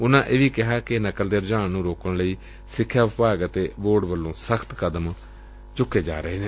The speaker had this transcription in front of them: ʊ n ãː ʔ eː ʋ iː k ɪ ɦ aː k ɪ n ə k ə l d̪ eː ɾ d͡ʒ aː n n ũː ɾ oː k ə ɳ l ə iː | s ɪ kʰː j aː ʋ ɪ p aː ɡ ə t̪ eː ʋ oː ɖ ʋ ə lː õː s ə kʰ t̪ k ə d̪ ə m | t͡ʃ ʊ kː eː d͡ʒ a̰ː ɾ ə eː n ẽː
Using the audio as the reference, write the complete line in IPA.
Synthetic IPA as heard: ʊ n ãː ʔ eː ʋ iː k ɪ ɦ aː k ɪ n ə k ə l d̪ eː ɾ d͡ʒ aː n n ũː ɾ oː k ə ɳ l ə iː | s ɪ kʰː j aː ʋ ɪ p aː ɡ ə t̪ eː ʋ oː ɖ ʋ ə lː õː s ə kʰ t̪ k ə d̪ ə m | t͡ʃ ʊ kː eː d͡ʒ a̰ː ɾ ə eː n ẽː